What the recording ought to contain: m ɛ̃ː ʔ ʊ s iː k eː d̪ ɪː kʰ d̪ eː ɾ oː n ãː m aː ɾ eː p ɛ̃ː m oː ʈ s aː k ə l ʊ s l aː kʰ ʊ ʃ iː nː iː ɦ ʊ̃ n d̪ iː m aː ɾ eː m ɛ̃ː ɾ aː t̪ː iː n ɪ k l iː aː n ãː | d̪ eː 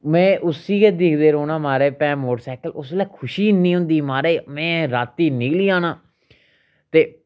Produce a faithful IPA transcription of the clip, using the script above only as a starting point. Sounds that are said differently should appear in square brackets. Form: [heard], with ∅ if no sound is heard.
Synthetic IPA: m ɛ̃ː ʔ ʊ s iː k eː d̪ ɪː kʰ d̪ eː ɾ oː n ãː m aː ɾ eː p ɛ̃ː m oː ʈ s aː k ə l ʊ s l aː kʰ ʊ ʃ iː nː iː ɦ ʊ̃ n d̪ iː m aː ɾ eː m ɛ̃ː ɾ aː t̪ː iː n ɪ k l iː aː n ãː | [t̪] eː